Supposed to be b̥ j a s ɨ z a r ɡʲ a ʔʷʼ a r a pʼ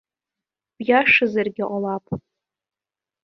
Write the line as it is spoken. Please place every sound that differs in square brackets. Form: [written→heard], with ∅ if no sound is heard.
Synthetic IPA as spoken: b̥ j a [s→ʂ] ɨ z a r ɡʲ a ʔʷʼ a [r→l] a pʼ